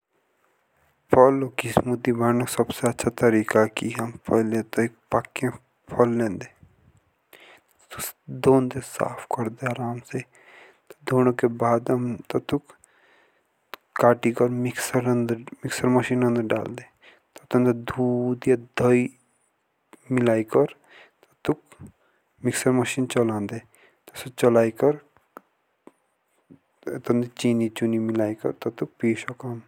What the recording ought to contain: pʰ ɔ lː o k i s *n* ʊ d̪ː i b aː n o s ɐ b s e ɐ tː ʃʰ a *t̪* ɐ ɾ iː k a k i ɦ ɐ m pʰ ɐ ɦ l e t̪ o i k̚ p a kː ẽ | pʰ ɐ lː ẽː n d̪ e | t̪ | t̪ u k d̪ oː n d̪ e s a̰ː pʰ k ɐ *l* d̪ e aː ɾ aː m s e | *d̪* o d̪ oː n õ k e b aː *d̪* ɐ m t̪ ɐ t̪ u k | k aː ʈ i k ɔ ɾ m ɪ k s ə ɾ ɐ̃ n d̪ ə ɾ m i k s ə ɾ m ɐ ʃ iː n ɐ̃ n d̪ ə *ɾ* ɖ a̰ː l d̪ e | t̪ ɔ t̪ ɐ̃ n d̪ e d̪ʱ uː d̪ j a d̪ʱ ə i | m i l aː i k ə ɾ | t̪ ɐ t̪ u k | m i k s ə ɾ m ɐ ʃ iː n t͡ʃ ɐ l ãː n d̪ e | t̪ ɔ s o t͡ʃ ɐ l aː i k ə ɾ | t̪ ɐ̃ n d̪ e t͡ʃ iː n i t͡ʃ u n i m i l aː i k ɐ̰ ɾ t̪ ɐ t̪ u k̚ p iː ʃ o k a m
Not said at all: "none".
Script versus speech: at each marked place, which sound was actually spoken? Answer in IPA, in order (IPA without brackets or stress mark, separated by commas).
m, t̪, ɾ, t̪, d̪, ɾ